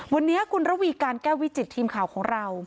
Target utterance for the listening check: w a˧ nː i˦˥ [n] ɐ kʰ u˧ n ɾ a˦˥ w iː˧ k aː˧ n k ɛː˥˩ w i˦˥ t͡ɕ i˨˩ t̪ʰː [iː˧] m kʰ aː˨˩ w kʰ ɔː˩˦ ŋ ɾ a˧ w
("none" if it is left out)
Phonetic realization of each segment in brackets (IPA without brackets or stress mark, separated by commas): none, iː˧